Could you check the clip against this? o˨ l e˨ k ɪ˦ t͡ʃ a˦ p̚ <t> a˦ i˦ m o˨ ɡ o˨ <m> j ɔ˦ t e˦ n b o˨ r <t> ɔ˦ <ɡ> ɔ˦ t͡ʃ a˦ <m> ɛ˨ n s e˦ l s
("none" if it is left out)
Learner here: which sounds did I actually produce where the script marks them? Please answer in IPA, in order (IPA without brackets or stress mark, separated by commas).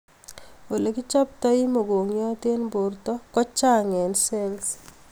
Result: t, ŋ, t, k, ŋ